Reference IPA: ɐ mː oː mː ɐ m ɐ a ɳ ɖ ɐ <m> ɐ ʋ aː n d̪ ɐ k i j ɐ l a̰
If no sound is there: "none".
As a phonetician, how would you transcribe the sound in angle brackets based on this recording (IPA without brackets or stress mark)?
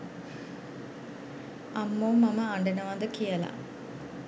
n